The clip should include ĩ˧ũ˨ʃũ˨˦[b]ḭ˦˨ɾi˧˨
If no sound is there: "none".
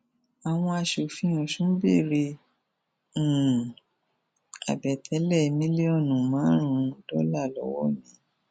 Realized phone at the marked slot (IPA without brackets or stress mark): b